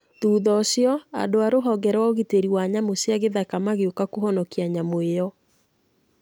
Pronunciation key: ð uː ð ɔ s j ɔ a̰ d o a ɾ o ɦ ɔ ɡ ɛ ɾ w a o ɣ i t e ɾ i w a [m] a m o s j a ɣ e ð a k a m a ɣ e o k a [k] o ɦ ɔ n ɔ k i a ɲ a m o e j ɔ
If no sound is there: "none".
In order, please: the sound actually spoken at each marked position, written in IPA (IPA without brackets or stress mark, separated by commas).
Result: ɲ, k